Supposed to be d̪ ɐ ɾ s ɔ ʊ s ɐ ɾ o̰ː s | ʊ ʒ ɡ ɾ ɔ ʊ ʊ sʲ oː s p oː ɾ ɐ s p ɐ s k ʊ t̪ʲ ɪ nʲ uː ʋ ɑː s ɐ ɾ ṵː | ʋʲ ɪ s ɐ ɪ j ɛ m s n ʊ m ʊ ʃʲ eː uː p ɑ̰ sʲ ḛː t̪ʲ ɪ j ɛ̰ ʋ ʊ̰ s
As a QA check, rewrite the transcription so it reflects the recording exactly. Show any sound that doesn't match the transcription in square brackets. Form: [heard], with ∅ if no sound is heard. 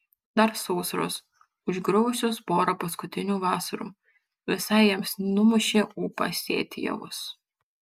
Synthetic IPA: d̪ ɐ ɾ s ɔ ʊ s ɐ ɾ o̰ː s | ʊ ʒ ɡ ɾ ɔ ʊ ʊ sʲ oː s p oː ɾ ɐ [∅] p ɐ s k ʊ t̪ʲ ɪ nʲ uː ʋ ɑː s ɐ ɾ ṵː | ʋʲ ɪ s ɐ ɪ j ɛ m s n ʊ m ʊ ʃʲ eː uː p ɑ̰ sʲ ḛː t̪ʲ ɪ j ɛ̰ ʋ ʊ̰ s